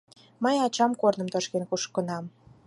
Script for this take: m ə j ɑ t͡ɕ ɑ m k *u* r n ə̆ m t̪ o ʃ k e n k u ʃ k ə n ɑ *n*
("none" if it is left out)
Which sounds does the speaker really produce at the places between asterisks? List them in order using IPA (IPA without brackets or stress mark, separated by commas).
o, m